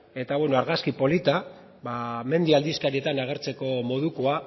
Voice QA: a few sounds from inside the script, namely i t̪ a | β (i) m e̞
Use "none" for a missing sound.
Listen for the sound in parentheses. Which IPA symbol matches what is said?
a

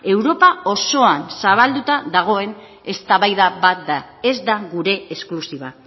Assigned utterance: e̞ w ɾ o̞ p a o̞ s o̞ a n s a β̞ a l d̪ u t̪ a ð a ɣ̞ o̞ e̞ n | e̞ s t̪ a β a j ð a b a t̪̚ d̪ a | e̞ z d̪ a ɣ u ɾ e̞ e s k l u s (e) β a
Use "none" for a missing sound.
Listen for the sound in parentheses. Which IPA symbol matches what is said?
i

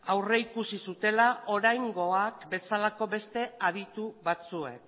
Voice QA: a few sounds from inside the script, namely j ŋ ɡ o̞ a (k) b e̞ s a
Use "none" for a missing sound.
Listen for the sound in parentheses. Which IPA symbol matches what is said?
k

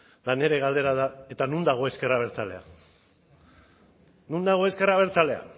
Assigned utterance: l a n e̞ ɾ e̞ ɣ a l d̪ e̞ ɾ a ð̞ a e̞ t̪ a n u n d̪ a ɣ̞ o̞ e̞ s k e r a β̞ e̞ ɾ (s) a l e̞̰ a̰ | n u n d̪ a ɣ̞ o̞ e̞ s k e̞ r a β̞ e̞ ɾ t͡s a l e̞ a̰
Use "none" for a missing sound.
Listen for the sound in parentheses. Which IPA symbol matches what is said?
t͡s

